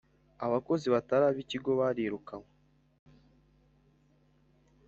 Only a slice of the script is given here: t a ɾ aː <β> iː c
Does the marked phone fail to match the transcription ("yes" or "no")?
no